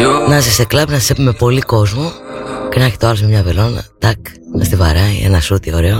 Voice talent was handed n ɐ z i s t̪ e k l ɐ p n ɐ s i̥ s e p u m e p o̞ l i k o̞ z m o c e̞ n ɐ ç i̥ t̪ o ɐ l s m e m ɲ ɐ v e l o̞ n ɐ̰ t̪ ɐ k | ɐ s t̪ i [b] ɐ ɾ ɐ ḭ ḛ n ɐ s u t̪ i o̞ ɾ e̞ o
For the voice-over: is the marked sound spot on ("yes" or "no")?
no